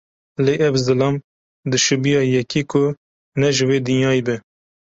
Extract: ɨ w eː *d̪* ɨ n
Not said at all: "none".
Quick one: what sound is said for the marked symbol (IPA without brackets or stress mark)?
d̪